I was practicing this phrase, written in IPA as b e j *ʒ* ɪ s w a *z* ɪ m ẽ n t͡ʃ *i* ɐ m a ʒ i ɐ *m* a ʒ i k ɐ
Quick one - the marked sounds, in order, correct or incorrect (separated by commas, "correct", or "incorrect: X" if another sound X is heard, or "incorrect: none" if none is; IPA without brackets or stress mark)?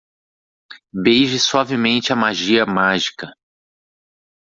correct, incorrect: v, incorrect: ɪ, correct